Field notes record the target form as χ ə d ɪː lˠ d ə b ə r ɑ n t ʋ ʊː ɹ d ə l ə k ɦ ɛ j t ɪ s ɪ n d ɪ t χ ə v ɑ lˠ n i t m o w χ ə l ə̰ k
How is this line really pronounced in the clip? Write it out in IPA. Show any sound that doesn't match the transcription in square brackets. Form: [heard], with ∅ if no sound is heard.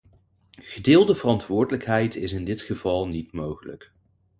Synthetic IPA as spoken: χ ə d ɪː lˠ d ə [v] ə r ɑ n t ʋ ʊː ɹ d ə l ə k ɦ ɛ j t ɪ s ɪ n d ɪ t χ ə v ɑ lˠ n i t m o w χ ə l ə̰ k